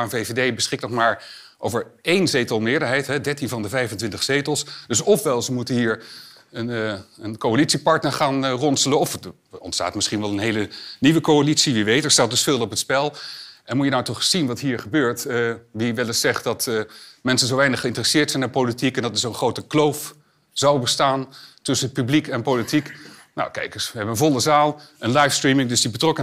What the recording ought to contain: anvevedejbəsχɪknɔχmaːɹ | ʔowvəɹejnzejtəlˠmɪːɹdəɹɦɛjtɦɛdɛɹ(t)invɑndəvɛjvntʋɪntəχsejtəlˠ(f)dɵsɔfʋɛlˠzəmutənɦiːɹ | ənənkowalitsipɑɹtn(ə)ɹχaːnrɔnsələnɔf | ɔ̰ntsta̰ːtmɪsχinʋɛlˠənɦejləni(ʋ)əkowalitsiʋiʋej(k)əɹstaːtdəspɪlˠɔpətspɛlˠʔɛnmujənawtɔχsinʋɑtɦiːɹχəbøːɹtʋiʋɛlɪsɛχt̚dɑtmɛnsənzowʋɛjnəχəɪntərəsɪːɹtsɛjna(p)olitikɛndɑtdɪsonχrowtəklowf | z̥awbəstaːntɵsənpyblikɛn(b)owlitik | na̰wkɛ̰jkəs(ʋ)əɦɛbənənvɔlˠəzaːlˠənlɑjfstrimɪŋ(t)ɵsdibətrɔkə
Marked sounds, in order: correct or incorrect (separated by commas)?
correct, incorrect, correct, correct, incorrect, correct, incorrect, correct, incorrect